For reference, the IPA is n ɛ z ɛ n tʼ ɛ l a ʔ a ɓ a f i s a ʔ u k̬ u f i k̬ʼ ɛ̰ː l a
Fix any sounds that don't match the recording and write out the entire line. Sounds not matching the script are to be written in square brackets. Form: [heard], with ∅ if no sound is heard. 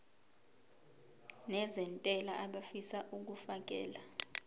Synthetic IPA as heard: n ɛ z ɛ n tʼ ɛ l a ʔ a ɓ a f i s a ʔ u k̬ u f [a] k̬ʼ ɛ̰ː l a